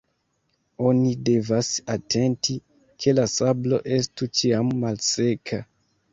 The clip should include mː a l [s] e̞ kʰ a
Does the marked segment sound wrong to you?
no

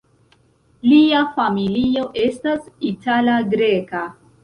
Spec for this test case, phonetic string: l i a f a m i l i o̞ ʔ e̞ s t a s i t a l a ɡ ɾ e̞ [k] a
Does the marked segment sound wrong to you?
no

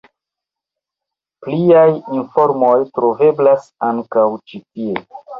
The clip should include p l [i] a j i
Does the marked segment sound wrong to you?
no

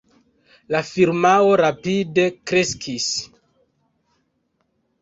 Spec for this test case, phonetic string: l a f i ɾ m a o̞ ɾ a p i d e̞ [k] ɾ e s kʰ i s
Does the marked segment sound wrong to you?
no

